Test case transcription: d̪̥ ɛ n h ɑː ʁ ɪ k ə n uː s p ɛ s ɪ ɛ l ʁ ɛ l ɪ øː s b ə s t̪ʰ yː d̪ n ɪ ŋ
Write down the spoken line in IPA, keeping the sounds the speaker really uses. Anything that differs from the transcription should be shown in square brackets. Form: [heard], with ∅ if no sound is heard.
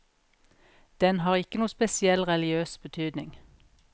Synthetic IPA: d̪̥ ɛ n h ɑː ʁ ɪ k ə n uː s p ɛ s ɪ ɛ l ʁ ɛ l ɪ øː s b ə [∅] t̪ʰ yː d̪ n ɪ ŋ